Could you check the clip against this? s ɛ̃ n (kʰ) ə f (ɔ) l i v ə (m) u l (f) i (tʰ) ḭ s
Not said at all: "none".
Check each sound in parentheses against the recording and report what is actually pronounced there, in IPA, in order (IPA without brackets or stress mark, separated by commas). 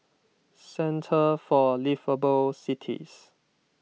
tʰ, ɔ, b, s, tʰ